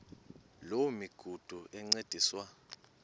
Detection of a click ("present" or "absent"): present